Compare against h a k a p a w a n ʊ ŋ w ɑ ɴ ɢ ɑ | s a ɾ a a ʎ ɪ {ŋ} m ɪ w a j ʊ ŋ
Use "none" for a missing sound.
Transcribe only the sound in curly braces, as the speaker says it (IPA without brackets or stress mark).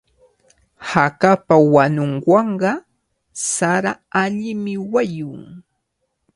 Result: none